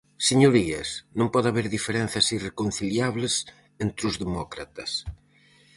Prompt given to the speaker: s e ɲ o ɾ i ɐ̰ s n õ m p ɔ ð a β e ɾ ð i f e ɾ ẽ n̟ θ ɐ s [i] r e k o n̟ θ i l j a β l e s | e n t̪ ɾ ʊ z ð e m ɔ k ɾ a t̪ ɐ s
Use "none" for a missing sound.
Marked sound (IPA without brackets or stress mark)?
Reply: i